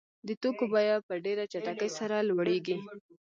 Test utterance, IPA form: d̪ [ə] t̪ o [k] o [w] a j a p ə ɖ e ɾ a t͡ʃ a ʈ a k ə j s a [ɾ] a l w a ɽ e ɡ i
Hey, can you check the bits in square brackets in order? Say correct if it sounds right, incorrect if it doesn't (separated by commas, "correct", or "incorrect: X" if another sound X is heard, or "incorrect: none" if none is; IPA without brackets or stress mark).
correct, correct, incorrect: b, correct